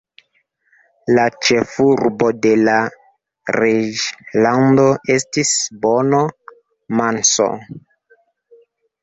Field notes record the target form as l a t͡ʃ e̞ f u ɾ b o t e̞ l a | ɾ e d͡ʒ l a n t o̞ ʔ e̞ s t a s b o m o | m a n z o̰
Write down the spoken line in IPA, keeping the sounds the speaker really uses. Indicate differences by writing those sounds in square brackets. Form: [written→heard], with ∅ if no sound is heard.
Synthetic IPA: l a t͡ʃ e̞ f u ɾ b o [t→d] e̞ l a | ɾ e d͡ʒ l a n [t→d] o̞ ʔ e̞ s t [a→i] s b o [m→n] o | m a n [z→s] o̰